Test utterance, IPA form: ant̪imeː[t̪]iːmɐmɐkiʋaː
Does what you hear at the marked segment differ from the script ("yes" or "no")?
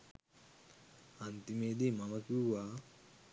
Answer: yes